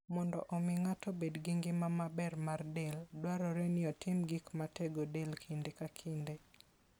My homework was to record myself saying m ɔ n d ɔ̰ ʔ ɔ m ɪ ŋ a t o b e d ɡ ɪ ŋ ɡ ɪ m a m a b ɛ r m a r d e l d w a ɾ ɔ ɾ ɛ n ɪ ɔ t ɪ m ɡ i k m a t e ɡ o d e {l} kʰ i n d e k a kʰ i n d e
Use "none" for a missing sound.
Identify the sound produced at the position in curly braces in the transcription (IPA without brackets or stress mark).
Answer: l